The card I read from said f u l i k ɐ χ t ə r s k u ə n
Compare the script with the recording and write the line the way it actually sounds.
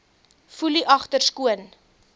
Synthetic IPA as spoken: f u l i ʔ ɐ χ t ə r s k u ə n